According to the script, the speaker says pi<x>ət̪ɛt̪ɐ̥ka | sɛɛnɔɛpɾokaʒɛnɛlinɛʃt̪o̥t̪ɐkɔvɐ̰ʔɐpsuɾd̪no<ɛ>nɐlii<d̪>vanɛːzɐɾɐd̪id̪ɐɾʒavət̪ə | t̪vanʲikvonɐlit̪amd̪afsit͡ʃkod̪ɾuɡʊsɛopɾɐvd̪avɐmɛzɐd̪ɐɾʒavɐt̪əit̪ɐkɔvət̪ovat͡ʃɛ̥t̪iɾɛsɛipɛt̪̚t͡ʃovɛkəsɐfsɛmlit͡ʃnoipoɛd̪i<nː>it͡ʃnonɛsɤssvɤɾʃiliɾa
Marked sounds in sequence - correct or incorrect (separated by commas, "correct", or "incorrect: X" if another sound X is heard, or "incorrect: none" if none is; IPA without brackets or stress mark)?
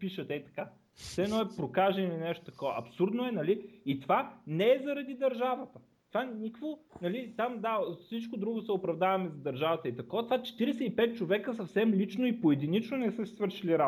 incorrect: ʃ, correct, incorrect: t̪, incorrect: n